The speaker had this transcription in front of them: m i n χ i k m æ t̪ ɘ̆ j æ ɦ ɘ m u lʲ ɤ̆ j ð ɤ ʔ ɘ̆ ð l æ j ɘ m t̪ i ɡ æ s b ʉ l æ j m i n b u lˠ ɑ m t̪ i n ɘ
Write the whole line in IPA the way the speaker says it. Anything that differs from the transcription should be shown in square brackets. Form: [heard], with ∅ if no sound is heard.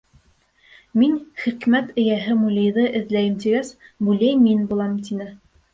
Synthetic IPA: m i n χ i k m æ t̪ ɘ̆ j æ ɦ ɘ m u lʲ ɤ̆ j ð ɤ ʔ ɘ̆ ð l æ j ɘ m t̪ i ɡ æ s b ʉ l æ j m i n b u lˠ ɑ m t̪ i n ɘ